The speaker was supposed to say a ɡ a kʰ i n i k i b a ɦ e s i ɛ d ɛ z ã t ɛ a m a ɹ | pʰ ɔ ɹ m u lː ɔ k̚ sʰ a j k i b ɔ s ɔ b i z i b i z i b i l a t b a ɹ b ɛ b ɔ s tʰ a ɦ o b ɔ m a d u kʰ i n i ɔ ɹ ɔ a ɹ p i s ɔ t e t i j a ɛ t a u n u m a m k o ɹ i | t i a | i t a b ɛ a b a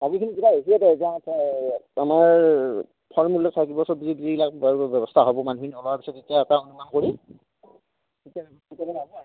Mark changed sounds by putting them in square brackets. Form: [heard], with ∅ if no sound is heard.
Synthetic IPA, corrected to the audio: a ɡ [i] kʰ i n i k i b a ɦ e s i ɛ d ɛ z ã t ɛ a m a ɹ | pʰ ɔ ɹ m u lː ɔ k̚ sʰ a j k i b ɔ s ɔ b i z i b i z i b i l a [k] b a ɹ b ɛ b ɔ s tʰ a ɦ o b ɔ m a [n] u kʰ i n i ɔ [l] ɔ a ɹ p i s ɔ t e t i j a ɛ t a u n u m a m k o ɹ i | t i a | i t a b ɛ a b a